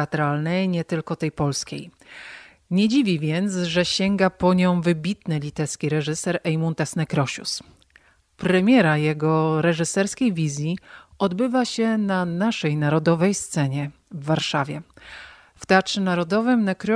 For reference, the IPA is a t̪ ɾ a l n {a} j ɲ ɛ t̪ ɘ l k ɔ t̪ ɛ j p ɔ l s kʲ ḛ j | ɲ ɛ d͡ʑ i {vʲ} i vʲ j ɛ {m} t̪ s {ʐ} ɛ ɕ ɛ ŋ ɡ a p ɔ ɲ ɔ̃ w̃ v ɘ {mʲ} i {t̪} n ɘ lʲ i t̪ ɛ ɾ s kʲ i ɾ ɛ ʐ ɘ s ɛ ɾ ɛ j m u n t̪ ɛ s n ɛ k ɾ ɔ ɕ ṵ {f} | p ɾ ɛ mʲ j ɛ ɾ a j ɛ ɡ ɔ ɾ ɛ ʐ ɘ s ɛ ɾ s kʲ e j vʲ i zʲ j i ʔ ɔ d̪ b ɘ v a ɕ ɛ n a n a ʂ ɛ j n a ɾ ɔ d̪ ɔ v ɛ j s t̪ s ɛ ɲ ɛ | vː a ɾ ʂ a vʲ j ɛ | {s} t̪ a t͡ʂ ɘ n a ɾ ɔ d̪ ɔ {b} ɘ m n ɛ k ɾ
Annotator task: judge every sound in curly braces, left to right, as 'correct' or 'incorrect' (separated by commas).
incorrect, correct, incorrect, correct, incorrect, correct, incorrect, incorrect, incorrect